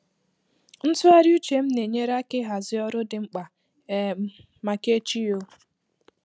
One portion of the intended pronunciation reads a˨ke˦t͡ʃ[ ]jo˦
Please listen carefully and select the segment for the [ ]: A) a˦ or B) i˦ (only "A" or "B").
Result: B